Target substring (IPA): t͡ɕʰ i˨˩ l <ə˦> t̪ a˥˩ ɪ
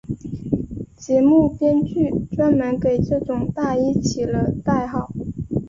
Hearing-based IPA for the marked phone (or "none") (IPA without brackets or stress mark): ə˦